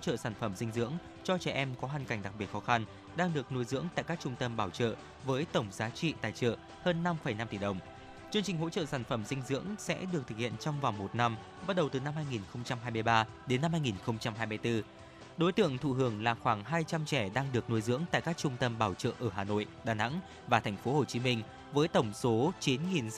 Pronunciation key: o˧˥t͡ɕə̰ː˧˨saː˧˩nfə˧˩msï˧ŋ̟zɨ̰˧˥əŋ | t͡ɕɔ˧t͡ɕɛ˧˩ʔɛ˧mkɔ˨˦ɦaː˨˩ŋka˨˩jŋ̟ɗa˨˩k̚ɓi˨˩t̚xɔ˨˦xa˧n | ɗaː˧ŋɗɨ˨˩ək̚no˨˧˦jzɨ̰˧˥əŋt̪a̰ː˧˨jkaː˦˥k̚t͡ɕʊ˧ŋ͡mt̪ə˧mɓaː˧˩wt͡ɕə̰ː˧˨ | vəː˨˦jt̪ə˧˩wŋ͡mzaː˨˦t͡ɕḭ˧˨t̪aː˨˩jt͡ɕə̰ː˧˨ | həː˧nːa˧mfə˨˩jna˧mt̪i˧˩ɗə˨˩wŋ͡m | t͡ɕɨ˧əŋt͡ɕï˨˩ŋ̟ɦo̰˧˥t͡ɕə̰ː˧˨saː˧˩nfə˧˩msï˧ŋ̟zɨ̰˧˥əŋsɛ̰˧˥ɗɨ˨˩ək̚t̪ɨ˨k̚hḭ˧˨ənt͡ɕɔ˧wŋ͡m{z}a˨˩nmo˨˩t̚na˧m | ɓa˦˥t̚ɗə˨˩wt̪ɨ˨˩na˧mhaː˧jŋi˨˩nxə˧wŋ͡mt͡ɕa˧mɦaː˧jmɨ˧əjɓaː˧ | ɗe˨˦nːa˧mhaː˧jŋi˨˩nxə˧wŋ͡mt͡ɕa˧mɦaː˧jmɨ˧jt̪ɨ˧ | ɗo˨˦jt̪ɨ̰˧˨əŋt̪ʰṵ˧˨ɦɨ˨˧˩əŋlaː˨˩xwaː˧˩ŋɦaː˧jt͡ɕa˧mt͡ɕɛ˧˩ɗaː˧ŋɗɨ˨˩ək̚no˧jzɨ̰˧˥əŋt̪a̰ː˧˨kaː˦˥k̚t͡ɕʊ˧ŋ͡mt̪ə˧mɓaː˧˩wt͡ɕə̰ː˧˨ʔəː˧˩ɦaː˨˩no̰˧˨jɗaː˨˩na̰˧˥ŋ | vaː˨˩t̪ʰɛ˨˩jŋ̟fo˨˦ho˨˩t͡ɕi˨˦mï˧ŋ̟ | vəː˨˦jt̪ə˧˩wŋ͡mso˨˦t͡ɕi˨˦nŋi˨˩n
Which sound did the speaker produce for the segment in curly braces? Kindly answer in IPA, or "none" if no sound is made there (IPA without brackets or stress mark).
v